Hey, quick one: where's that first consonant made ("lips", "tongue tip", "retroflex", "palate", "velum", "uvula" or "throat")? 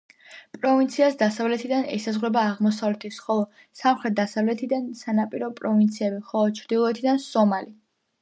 lips